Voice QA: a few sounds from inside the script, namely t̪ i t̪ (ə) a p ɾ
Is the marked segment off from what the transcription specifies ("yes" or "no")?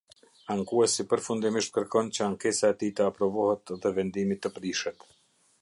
no